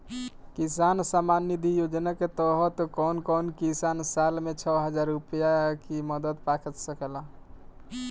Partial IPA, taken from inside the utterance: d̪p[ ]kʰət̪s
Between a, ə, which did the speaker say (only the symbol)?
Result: a